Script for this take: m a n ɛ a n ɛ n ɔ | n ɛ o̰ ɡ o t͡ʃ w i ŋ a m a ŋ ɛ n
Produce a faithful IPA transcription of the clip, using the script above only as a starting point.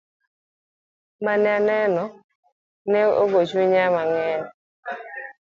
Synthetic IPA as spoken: m a n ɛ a n ɛ n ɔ | n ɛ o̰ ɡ o t͡ʃ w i ɲ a m a ŋ ɛ n